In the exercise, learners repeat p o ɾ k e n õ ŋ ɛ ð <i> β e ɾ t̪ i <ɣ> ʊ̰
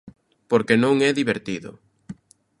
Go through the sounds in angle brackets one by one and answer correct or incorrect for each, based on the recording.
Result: correct, incorrect

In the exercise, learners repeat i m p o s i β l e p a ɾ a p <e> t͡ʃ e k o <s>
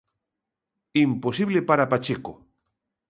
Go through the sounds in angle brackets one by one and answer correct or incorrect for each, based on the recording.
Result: incorrect, incorrect

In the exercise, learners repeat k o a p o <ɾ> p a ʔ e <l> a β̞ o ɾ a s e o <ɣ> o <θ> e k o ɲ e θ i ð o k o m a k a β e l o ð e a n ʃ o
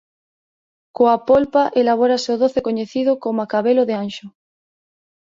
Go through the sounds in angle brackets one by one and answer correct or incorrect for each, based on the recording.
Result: incorrect, correct, incorrect, correct

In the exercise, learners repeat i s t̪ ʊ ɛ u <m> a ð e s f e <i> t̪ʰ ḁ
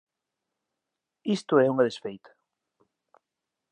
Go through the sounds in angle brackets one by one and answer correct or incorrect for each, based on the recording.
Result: incorrect, incorrect

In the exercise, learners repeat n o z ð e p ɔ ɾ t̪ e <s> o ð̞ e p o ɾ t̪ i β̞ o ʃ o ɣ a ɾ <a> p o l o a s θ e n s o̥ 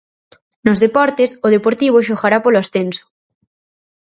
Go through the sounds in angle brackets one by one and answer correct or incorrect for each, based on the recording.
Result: correct, correct

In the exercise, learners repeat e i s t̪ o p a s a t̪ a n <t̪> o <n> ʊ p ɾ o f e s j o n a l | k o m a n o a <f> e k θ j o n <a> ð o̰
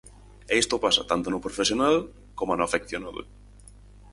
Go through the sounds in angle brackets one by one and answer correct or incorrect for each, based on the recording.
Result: correct, correct, correct, correct

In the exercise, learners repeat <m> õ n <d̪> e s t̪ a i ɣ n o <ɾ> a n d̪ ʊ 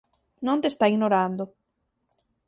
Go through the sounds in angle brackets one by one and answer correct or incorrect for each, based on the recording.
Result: incorrect, incorrect, correct

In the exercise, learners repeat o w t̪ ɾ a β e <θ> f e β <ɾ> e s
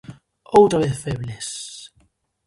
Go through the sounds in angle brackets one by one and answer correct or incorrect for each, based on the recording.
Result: correct, incorrect

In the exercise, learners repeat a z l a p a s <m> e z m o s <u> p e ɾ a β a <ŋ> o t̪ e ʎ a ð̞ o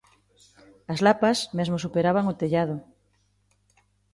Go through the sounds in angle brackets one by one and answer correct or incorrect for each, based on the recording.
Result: correct, correct, correct

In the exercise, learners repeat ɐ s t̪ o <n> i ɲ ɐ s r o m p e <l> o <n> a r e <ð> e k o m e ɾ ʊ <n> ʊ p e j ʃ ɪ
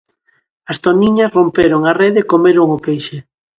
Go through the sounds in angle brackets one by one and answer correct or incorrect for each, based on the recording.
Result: correct, incorrect, incorrect, correct, incorrect

